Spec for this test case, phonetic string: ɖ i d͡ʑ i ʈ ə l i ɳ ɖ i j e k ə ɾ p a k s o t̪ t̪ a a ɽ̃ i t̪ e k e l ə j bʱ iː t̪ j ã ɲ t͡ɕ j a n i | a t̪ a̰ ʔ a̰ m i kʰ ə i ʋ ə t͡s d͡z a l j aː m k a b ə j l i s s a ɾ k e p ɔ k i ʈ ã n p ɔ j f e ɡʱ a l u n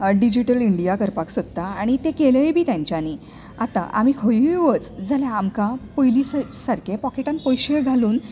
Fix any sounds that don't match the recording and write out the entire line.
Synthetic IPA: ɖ i d͡ʑ i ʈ ə l i ɳ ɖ i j a k ə ɾ p a k s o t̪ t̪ a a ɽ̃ i t̪ e k e l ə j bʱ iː t̪ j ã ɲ t͡ɕ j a n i | a t̪ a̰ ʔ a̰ m i kʰ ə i ʋ ə t͡s d͡z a l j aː m k a p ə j l i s s a ɾ k e p ɔ k e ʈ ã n p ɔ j ɕ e ɡʱ a l uː n

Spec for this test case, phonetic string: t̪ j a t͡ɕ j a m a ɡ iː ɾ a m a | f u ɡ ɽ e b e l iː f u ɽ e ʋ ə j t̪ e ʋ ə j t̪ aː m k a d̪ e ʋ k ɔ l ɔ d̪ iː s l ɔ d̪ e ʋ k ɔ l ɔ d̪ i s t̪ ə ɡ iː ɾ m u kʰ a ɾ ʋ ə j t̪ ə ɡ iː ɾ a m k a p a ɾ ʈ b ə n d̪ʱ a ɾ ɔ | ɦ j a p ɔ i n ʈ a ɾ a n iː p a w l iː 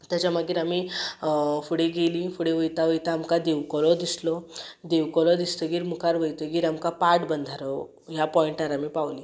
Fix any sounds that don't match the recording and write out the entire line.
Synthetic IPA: t̪ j a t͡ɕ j a m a ɡ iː ɾ a m i | f u ɽ e ɡ e l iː f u ɽ e ʋ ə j t̪ a ʋ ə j t̪ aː m k a d̪ e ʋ k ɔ l ɔ d̪ i s l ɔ d̪ e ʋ k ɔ l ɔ d̪ i s t̪ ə ɡ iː ɾ m u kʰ a ɾ ʋ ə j t̪ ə ɡ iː ɾ a m k a p a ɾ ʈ b ə n d̪ʱ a ɾ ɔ | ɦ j a p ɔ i ɳ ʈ a ɾ a m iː p a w l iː

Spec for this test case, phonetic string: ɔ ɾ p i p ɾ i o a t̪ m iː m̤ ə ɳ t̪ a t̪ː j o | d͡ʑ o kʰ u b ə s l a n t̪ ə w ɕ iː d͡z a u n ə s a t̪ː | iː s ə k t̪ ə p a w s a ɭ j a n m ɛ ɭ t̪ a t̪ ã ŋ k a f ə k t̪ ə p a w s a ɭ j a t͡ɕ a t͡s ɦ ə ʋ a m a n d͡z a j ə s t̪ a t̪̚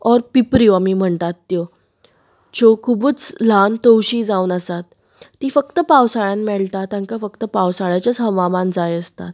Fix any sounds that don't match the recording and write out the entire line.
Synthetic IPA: ɔ ɾ p i p ɾ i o a m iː m̤ ə ɳ t̪ a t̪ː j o | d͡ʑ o kʰ u b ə t͡s l a n t̪ ə w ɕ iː d͡z a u n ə s a t̪ː | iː f ə k t̪ ə p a w s a ɭ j a n m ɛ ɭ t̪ a t̪ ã ŋ k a f ə k t̪ ə p a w s a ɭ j a t͡ɕ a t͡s ɦ ə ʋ a m a n d͡z a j ə s t̪ a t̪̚

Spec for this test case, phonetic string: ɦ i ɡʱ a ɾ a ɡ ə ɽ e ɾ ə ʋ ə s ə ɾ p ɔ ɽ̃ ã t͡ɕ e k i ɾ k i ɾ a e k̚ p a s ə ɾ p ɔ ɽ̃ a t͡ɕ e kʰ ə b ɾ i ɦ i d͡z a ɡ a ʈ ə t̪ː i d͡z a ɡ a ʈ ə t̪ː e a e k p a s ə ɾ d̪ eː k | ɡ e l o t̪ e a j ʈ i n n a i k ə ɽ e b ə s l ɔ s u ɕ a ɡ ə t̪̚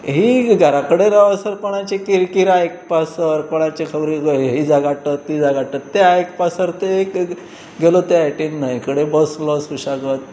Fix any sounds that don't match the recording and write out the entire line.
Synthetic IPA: ɦ i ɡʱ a ɾ a k ə ɽ e ɾ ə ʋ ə s ə ɾ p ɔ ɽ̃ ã t͡ɕ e k i ɾ k i ɾ a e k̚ p a s ə ɾ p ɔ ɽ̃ a t͡ɕ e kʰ ə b ɾ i ɦ i d͡z a ɡ a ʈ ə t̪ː i d͡z a ɡ a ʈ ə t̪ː e a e k p a s ə ɾ t̪ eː k | ɡ e l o t̪ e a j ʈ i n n a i k ə ɽ e b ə s l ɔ s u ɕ a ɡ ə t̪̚

